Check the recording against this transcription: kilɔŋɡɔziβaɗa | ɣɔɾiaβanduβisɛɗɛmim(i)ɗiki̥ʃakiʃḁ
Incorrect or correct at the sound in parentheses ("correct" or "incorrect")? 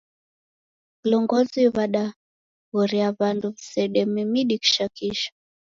correct